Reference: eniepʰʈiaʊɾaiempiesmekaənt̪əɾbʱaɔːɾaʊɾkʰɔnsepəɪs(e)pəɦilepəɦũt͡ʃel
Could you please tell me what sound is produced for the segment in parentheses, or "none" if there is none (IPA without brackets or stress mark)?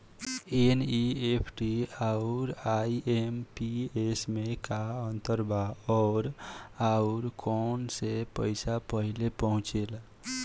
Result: a